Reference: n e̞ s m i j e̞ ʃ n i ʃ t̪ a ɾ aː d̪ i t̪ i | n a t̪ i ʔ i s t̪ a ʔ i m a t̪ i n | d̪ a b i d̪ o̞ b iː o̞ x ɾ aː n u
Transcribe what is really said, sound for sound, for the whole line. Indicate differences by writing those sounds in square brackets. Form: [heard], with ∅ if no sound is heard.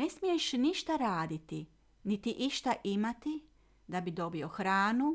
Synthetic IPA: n e̞ s m i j e̞ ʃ n i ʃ t̪ a ɾ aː d̪ i t̪ i | n [i] t̪ i ʔ i [ʃ] t̪ a ʔ i m a t̪ i [∅] | d̪ a b i d̪ o̞ b [i] o̞ x ɾ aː n u